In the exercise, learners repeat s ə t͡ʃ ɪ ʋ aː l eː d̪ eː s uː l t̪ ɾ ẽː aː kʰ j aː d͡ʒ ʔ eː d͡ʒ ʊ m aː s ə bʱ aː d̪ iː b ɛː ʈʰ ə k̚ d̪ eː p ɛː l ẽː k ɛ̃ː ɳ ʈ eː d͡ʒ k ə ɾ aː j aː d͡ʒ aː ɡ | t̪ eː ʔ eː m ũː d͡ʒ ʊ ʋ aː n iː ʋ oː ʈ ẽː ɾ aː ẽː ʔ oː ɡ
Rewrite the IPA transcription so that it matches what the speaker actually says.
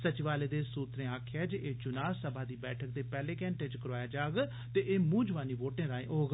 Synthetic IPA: s ə t͡ʃ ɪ ʋ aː l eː d̪ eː s uː t̪ ɾ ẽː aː kʰ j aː d͡ʒ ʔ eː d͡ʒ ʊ n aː s ə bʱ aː d̪ iː b ɛː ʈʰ ə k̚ d̪ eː p ɛː l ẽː k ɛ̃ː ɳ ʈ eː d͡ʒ k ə ɾ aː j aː d͡ʒ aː ɡ | t̪ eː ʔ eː m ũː d͡ʒ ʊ ʋ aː n iː ʋ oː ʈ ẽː ɾ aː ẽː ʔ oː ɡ